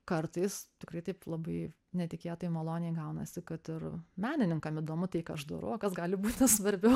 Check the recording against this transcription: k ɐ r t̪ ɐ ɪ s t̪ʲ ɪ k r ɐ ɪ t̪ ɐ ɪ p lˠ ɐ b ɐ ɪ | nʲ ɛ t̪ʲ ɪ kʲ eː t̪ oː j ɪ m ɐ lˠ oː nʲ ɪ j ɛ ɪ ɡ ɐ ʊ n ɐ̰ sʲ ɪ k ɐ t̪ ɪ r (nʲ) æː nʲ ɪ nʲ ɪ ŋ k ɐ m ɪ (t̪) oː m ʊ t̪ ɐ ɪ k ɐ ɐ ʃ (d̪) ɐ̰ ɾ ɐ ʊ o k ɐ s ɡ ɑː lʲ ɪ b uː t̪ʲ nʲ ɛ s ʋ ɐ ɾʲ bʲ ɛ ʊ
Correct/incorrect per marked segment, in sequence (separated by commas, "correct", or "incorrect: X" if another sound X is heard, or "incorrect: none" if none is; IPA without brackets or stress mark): incorrect: mʲ, incorrect: d̪, correct